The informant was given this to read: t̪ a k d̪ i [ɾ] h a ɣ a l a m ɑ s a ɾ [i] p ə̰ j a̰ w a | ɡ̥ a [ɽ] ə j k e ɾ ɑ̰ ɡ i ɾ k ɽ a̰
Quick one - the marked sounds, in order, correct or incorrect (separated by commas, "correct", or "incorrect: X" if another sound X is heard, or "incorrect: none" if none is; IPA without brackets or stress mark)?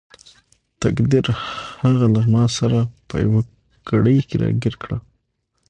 correct, incorrect: a, correct